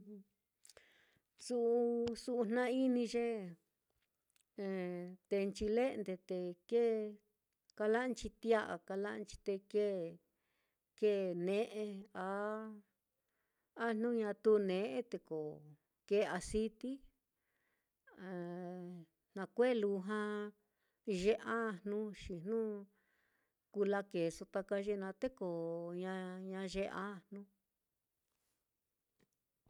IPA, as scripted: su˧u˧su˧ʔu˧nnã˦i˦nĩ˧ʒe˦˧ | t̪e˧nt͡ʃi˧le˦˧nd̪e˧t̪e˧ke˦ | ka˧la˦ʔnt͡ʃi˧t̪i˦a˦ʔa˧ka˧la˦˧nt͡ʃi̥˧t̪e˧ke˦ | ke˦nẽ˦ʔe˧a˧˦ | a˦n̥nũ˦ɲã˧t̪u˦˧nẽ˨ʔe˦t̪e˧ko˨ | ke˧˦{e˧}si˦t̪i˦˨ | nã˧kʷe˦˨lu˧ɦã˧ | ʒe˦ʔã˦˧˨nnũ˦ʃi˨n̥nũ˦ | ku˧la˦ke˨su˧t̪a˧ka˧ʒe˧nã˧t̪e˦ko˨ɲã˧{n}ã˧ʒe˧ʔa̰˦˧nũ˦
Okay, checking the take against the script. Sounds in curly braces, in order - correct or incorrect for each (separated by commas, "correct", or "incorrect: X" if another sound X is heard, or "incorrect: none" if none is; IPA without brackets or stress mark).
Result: incorrect: a˧, incorrect: ɲ